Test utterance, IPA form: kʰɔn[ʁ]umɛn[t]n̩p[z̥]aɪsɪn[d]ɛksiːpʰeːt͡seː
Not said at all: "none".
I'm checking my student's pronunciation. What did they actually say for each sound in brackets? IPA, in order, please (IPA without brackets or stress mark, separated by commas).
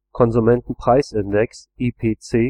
z, t, ʁ̥, d